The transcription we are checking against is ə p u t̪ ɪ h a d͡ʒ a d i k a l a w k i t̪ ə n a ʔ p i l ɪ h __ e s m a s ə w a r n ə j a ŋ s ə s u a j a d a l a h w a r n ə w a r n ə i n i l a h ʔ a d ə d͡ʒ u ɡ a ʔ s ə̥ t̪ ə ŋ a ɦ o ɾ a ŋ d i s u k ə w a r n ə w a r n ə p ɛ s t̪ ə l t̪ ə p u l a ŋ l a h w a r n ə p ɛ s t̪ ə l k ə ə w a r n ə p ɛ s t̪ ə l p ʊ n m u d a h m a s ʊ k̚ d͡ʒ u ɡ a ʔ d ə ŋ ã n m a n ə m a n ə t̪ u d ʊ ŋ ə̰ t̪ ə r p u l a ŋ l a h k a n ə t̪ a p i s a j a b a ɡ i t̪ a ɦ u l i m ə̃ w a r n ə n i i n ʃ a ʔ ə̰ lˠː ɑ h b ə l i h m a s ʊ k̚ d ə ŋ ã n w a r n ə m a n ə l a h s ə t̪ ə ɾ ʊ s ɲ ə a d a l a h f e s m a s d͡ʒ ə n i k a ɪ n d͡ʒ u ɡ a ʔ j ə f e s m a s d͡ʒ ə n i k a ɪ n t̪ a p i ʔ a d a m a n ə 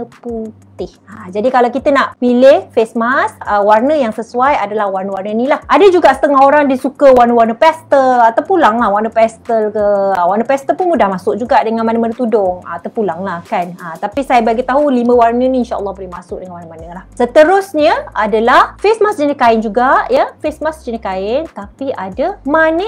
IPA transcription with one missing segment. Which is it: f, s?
f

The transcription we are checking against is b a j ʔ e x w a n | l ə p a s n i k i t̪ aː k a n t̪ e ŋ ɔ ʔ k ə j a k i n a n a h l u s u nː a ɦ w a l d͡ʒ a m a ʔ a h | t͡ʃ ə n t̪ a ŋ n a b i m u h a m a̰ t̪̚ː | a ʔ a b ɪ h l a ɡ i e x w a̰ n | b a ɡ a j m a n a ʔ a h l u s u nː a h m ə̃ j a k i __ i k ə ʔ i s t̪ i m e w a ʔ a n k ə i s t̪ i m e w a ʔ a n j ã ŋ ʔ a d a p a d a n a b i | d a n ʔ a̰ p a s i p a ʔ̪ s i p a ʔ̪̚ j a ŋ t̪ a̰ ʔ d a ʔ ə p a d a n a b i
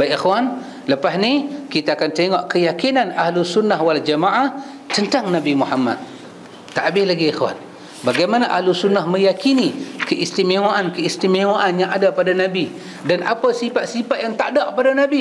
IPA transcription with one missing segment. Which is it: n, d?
n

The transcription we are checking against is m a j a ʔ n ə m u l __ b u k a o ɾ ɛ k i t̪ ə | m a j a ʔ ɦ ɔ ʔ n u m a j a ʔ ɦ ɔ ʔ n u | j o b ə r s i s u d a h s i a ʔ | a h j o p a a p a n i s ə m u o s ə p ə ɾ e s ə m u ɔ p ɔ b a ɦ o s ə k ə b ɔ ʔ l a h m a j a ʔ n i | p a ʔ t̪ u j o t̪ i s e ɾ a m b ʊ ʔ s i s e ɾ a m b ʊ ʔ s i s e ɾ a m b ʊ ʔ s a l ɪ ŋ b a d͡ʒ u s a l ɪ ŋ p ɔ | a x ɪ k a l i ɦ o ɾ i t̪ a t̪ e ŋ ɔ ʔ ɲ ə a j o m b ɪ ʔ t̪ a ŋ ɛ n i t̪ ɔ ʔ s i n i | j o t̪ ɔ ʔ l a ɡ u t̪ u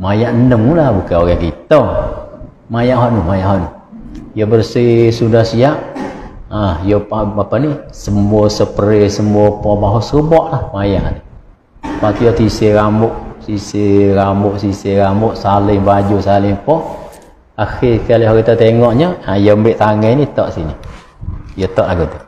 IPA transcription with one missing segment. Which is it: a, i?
a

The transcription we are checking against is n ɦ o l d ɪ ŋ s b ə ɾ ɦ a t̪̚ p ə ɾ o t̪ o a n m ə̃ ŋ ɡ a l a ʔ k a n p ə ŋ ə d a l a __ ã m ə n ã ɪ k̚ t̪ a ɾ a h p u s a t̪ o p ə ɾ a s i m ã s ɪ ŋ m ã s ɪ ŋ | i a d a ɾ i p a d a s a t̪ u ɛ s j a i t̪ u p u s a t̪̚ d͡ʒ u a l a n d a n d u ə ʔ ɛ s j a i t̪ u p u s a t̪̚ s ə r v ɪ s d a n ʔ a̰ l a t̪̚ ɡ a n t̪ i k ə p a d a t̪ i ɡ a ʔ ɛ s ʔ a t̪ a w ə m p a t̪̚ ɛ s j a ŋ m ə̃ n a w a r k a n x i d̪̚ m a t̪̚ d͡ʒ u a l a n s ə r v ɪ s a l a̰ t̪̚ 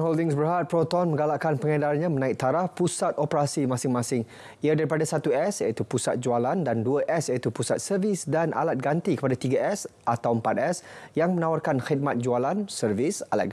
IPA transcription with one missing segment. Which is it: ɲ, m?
ɲ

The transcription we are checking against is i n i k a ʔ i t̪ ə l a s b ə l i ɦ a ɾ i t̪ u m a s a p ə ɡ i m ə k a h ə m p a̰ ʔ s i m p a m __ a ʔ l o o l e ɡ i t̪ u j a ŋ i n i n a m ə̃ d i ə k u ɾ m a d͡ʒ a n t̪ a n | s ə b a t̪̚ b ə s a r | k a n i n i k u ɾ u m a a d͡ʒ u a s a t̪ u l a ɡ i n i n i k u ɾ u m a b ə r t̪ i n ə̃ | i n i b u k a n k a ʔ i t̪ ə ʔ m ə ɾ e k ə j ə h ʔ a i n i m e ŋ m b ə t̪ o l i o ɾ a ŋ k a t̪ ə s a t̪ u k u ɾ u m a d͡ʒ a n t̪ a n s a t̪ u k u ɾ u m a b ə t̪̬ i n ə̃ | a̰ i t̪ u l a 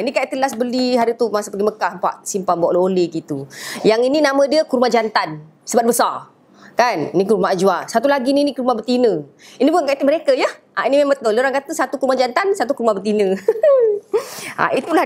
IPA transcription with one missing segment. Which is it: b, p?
b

